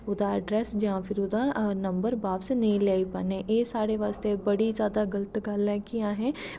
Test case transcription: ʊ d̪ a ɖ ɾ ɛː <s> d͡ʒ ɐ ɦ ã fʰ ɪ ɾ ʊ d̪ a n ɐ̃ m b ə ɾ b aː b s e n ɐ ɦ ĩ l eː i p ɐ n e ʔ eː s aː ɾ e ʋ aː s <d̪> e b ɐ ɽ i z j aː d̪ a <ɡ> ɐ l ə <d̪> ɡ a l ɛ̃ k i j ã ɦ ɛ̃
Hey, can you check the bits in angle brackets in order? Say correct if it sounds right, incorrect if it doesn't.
correct, incorrect: t̪, correct, incorrect: t̪

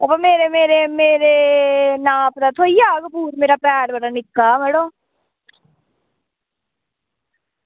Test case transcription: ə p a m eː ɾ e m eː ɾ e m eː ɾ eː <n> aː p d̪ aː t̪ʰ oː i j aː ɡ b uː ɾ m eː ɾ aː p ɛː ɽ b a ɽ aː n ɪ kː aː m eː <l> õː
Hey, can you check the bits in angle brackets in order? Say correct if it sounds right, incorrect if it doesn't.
correct, incorrect: ɽ

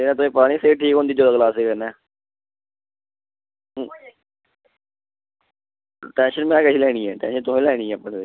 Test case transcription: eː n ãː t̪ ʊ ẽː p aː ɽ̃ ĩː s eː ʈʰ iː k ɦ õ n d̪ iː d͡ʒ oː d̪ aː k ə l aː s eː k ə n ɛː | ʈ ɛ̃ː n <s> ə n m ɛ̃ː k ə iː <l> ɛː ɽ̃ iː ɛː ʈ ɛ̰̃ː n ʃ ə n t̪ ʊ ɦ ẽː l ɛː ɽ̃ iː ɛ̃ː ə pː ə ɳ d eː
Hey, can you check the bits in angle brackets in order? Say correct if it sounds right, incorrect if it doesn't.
incorrect: ʃ, correct

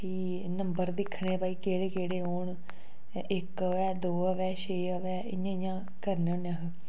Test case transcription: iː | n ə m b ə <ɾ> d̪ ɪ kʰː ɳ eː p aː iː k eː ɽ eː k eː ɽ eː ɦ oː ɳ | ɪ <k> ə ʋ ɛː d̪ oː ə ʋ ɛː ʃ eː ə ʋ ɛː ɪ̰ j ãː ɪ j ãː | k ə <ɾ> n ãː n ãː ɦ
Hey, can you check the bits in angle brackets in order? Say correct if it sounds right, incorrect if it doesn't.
correct, correct, correct

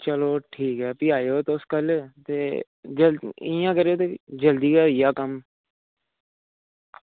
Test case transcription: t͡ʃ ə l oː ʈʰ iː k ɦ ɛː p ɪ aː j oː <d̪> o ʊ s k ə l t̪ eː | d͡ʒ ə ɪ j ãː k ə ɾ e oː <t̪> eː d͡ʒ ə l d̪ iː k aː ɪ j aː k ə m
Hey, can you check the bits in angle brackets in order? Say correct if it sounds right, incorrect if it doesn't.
incorrect: t̪, correct

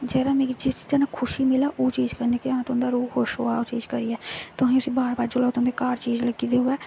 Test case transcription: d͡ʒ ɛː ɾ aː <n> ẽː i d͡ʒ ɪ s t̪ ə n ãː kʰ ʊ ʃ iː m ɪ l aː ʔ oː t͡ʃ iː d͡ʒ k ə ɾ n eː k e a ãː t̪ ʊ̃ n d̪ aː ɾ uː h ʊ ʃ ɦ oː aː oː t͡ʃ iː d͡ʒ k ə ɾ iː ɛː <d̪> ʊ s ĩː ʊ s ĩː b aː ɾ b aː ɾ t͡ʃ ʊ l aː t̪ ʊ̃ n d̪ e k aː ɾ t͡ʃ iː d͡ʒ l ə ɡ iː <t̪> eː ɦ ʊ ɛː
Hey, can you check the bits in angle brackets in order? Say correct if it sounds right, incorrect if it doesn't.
incorrect: m, incorrect: t̪, incorrect: d̪

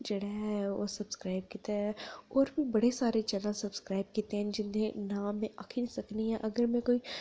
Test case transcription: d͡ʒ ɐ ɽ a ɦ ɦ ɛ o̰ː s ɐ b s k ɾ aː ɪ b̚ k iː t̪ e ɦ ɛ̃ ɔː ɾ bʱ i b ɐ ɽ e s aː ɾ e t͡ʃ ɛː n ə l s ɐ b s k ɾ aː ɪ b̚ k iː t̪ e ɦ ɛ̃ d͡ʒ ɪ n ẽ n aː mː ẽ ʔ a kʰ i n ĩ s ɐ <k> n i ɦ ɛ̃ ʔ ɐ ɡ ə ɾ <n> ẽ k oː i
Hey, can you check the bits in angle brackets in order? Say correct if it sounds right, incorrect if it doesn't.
correct, incorrect: m

